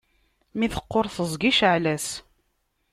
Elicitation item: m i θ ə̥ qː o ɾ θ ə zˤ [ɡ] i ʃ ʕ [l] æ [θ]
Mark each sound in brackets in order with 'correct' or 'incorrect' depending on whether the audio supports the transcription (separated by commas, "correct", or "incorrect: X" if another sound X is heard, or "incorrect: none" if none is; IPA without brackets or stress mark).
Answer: correct, correct, incorrect: s